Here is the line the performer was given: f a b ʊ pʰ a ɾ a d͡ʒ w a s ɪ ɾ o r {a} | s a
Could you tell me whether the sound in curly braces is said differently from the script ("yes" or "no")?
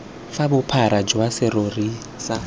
yes